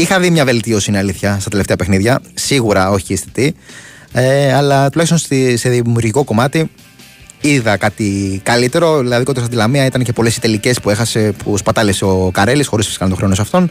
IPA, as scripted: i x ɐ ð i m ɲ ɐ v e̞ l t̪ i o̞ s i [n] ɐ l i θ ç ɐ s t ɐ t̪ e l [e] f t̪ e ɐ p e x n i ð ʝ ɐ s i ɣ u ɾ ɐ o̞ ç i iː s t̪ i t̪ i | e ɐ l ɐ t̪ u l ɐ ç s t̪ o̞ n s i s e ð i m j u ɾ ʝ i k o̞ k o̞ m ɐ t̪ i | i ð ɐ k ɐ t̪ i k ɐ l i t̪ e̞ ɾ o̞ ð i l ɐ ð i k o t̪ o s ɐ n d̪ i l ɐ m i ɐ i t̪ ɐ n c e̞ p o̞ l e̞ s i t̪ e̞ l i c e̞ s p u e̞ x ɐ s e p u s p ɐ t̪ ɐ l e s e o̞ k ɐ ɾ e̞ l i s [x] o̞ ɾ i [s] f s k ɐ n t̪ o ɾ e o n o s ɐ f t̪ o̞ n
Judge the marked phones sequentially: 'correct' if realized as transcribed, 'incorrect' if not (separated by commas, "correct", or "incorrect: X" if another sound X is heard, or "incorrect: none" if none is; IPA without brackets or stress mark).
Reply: correct, correct, correct, correct